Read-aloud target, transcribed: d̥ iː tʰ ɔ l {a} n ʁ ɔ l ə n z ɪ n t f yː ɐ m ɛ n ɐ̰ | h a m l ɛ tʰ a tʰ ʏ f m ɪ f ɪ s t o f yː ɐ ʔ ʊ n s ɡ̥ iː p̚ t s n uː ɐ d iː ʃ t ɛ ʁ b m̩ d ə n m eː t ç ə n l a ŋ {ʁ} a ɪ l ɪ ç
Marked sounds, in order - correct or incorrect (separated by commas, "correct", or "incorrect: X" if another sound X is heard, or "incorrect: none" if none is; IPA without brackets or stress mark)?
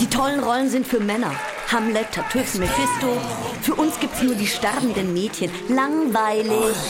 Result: incorrect: ə, incorrect: v